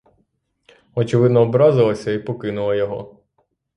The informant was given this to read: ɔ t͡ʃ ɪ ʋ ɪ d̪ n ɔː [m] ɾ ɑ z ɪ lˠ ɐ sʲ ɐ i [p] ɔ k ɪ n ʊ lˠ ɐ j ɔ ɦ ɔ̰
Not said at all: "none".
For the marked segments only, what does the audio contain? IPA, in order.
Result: b, p

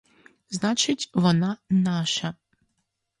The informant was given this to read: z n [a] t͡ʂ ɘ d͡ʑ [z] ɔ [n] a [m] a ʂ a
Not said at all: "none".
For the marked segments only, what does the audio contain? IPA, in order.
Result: a, v, n, n

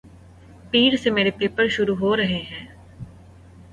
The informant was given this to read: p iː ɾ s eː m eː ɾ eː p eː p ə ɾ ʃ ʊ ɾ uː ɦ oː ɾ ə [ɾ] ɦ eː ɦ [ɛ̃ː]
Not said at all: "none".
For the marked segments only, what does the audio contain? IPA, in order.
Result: none, ɛ̃ː

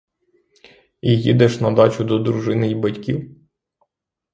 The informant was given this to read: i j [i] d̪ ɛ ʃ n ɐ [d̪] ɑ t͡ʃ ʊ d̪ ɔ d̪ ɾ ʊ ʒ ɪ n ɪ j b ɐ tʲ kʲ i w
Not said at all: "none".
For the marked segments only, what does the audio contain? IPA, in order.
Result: i, d̪

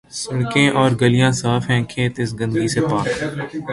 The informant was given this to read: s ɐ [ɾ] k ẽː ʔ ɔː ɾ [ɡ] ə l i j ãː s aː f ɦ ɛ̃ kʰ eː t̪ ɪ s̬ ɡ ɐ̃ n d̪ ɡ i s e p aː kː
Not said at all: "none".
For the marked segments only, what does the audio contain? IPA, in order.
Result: ɽ, ɡ

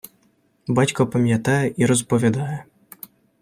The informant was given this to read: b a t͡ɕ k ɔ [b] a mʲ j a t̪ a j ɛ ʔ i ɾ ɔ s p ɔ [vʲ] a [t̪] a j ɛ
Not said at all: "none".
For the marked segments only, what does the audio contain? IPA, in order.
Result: p, vʲ, d̪

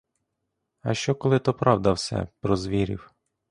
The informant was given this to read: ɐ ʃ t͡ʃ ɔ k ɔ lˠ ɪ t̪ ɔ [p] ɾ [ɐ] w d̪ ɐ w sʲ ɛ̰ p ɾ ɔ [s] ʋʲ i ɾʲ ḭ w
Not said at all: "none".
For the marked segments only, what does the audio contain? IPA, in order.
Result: p, ɑ, z

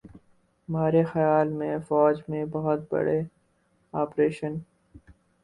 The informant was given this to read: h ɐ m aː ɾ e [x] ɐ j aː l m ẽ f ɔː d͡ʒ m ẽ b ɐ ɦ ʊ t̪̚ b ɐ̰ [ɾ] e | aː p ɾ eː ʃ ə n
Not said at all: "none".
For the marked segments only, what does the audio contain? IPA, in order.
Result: x, ɽ

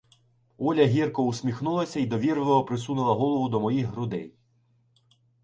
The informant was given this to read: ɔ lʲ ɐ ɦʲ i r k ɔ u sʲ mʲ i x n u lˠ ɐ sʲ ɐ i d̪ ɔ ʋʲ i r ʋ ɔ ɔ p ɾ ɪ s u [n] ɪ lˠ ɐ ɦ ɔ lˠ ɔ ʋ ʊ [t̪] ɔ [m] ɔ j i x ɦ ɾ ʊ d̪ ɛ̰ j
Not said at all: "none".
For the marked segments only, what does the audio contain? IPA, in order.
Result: n, d̪, m

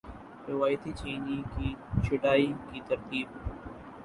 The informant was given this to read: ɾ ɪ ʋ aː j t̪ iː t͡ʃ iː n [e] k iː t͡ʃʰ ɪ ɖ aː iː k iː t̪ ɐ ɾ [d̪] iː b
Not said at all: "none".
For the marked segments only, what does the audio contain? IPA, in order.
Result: i, t̪

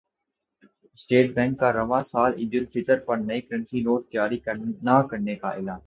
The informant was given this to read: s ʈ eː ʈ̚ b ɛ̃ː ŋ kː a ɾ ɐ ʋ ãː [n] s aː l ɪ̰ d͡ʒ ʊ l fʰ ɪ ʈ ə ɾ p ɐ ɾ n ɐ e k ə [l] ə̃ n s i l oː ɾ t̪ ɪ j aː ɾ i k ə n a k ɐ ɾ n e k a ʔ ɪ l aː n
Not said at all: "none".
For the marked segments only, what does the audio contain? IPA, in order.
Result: none, ɾ

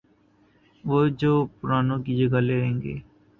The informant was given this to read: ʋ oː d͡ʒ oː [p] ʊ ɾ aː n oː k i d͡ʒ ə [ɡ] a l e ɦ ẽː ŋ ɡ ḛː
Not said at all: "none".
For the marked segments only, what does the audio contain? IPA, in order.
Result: p, ɡ

